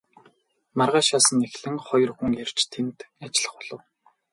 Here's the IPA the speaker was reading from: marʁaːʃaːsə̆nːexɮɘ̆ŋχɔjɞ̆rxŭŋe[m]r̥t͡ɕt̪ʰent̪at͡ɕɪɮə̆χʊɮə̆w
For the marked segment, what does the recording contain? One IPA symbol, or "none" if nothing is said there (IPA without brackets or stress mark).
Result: none